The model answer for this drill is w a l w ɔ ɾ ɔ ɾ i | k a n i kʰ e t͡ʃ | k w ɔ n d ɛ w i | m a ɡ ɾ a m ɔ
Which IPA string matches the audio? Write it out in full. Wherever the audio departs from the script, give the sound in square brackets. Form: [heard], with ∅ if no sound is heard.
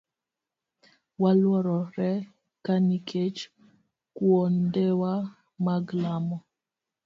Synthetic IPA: w a l w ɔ ɾ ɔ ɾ [ɛ] | k a n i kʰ e t͡ʃ | k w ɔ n d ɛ w [a] | m a ɡ [l] a m ɔ